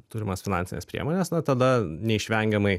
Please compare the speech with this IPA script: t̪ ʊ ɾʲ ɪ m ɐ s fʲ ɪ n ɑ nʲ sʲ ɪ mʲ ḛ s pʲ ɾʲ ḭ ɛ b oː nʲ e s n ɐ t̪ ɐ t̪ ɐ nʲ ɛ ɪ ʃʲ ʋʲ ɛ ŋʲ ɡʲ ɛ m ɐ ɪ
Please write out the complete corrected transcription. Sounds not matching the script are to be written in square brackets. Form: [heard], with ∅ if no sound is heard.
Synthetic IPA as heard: t̪ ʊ ɾʲ ɪ m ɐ s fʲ ɪ n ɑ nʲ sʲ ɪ [nʲ] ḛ s pʲ ɾʲ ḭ ɛ [m] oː nʲ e s n ɐ t̪ ɐ [d̪] ɐ nʲ ɛ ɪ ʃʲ ʋʲ ɛ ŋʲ ɡʲ ɛ m ɐ ɪ